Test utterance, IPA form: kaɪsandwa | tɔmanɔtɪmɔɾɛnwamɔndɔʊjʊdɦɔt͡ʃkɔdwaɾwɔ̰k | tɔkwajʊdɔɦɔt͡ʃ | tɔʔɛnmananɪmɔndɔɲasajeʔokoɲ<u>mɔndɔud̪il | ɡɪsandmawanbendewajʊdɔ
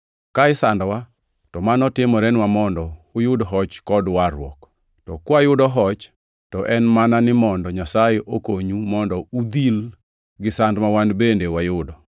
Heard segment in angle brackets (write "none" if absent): u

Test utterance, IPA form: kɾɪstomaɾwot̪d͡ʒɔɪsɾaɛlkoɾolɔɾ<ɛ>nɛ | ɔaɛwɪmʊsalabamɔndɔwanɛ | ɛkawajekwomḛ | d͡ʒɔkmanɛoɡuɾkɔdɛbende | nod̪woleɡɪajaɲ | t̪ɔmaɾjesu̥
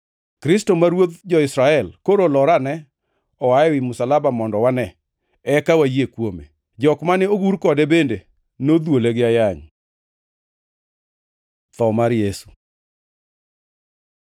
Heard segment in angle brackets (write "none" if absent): a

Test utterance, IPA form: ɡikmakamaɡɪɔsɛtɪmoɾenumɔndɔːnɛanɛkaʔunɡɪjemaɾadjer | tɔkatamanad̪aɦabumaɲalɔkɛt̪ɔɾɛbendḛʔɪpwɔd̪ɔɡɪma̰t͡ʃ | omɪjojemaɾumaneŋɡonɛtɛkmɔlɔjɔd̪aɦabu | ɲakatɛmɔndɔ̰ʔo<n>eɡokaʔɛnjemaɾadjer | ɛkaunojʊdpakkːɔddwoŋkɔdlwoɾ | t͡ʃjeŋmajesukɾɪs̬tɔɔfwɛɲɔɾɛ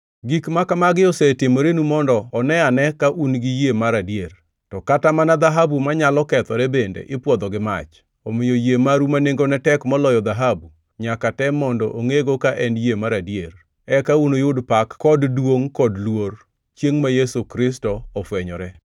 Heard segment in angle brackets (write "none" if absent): ŋ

